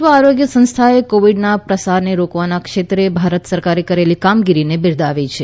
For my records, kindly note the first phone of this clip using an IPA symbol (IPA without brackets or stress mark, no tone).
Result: ʋ